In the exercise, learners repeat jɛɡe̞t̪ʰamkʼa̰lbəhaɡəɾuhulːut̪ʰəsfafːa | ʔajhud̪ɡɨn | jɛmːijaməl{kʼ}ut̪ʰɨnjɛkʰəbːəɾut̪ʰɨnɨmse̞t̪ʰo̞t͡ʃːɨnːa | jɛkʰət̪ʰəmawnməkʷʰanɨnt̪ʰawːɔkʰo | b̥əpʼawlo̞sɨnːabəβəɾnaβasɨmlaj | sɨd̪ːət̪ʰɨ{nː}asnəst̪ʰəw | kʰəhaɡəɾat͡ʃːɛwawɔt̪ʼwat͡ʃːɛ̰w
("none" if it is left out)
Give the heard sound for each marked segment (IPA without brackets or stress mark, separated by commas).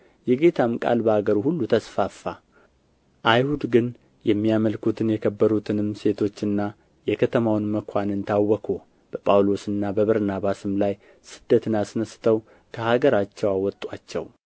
k, n